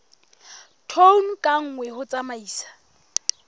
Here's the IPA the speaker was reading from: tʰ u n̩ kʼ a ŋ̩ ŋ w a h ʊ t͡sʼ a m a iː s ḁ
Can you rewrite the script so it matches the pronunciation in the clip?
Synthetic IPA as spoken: tʰ o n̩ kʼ a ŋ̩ ŋ w ɛ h ʊ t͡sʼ a m a iː s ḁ